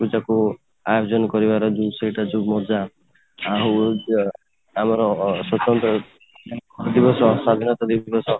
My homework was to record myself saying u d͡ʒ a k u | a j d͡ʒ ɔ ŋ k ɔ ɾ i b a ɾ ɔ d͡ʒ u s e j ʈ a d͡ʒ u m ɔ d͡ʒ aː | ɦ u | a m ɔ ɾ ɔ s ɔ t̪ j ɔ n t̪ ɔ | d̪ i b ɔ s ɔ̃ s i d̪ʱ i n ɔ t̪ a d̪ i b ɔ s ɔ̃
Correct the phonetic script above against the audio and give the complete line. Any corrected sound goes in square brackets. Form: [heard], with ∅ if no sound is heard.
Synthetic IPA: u d͡ʒ a k u | a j d͡ʒ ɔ [n] k ɔ ɾ i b a ɾ ɔ d͡ʒ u s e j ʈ a d͡ʒ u m ɔ d͡ʒ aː | ɦ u | a m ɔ ɾ ɔ s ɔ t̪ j ɔ n t̪ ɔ | d̪ i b ɔ s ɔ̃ s [a] d̪ʱ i n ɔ t̪ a d̪ i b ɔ s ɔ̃